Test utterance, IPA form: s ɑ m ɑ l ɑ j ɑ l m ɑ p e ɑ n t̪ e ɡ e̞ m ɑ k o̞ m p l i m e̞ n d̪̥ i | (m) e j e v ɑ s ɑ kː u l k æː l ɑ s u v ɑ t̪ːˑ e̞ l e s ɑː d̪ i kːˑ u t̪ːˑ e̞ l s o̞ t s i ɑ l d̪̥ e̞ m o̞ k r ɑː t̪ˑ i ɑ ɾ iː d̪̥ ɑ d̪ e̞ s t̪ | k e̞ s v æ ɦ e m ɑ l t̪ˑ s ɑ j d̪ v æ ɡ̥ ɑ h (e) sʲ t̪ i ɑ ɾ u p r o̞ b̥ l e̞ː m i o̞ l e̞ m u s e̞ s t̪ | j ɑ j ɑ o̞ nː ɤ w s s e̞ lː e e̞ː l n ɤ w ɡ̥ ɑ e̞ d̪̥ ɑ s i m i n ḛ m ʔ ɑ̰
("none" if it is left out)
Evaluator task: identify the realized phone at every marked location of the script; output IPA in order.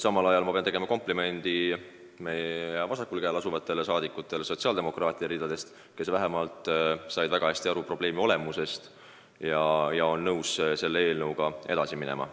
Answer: m, æ

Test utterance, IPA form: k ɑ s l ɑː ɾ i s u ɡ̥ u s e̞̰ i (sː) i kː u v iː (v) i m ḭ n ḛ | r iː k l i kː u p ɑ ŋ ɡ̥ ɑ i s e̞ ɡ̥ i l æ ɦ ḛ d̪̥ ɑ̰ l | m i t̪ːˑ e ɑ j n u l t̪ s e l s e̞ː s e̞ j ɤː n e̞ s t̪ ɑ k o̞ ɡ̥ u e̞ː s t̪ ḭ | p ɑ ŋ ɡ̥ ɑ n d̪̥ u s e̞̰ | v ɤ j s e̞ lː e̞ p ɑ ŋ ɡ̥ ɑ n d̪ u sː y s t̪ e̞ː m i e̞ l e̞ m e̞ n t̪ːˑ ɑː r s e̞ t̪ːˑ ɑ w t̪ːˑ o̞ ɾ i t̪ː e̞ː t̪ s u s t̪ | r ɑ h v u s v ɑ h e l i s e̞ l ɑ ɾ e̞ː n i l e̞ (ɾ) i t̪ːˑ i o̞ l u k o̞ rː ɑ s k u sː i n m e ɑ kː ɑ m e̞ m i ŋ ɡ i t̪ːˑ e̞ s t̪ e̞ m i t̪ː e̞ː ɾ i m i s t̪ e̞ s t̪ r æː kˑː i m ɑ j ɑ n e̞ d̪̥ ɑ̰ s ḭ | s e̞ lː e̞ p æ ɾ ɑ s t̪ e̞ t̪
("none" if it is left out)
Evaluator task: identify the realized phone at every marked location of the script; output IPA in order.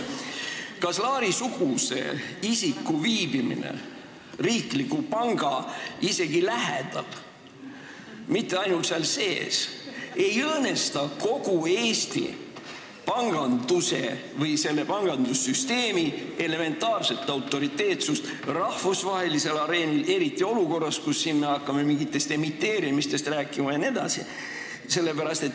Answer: s, b, ɾ

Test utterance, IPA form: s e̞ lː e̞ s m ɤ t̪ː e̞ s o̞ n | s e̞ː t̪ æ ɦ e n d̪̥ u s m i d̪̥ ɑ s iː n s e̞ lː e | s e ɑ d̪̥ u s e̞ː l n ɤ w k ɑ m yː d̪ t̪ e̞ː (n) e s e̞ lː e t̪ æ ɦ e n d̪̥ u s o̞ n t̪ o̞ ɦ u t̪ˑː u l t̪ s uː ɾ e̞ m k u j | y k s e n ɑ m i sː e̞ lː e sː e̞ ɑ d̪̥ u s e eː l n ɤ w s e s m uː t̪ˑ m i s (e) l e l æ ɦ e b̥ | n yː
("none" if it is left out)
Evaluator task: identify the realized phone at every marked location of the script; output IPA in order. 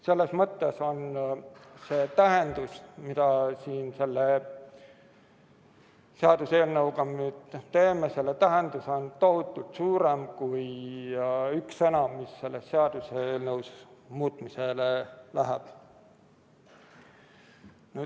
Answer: m, e

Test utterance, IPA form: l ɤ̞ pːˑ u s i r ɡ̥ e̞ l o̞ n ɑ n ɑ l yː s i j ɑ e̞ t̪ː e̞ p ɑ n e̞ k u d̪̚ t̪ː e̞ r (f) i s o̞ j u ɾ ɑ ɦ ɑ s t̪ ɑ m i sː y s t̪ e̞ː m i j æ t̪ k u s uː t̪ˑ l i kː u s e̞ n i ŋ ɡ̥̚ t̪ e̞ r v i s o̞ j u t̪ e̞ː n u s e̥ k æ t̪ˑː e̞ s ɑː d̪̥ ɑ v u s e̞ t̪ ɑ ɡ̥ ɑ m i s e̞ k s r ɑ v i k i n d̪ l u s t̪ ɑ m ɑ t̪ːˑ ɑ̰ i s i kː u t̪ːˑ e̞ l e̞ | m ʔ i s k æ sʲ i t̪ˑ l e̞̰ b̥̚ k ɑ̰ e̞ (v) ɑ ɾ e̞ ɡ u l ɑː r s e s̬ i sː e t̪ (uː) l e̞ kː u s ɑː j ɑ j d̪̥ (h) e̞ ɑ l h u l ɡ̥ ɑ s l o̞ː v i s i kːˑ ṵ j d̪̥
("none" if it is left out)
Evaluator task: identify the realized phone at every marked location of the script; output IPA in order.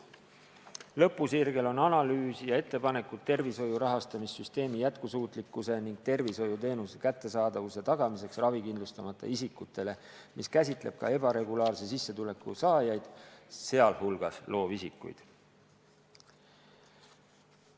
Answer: v, b, u, s

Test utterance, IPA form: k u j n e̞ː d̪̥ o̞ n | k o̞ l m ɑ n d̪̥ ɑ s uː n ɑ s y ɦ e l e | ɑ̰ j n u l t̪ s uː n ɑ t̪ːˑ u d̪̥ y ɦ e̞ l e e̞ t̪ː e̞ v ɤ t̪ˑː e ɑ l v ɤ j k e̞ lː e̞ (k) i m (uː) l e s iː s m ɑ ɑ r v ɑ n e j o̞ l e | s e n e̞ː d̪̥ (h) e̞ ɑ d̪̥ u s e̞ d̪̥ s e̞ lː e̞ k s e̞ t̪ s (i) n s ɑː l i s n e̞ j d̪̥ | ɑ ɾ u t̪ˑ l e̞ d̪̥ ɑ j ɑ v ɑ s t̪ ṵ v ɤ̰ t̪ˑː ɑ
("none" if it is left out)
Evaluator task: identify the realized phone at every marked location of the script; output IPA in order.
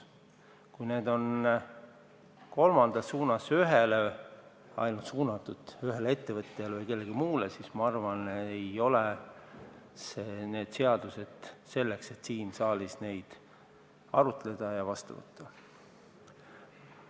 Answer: ɡ, uː, s, iː

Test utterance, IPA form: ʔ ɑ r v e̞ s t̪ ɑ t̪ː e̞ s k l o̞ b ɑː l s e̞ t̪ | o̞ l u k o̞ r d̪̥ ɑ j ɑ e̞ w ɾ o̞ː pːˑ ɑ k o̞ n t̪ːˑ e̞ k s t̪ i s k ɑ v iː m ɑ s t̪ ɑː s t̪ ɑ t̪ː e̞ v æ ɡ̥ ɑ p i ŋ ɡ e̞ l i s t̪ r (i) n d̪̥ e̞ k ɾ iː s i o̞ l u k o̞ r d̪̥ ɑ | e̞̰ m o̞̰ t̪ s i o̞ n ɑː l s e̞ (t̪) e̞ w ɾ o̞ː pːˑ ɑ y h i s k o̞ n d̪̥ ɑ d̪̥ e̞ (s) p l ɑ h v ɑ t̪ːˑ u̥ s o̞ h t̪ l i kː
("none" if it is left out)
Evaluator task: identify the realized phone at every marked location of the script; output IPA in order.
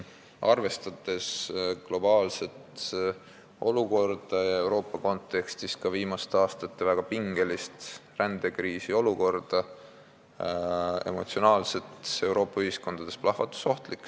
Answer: æ, t̪, s

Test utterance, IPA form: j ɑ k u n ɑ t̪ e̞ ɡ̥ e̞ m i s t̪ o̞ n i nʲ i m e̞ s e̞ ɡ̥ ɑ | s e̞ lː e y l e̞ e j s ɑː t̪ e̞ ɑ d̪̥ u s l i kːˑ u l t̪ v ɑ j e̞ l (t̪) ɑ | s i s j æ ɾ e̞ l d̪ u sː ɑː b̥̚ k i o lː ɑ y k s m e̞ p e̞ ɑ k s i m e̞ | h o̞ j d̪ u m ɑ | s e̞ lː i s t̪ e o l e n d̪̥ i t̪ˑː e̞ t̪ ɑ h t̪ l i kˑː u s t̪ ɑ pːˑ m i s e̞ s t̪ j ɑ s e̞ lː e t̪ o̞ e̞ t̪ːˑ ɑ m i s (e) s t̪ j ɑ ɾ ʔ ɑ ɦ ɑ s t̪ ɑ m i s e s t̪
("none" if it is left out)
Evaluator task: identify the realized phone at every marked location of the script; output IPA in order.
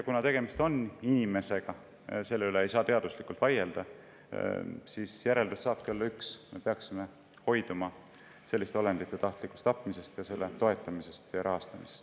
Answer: d̪, e

